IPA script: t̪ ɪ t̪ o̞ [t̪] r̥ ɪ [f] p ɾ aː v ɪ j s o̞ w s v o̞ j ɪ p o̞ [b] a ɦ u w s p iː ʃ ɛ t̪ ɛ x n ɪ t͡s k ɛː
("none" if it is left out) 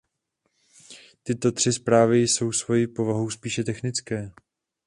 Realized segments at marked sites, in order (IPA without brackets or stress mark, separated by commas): t̪, s, v